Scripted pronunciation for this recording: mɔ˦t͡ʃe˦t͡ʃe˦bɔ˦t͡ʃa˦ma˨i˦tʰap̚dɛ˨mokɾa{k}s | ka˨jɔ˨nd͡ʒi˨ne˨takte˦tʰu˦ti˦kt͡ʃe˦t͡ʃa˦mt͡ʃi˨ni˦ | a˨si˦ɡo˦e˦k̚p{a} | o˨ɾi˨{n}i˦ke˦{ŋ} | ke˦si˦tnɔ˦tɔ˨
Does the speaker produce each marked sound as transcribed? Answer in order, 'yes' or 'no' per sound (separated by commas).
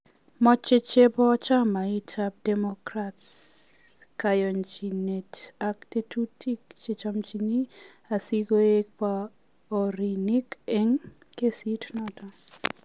no, yes, yes, yes